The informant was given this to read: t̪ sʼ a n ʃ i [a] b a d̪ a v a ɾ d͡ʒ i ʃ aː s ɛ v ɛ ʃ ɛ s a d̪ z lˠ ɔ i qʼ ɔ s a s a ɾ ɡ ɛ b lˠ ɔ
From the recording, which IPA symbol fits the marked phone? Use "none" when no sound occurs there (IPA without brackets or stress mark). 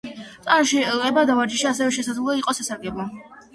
ɛ